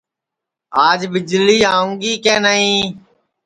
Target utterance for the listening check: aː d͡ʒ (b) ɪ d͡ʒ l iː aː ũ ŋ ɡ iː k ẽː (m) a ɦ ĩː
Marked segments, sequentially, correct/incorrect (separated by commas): correct, incorrect